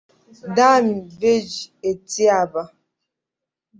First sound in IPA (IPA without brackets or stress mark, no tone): d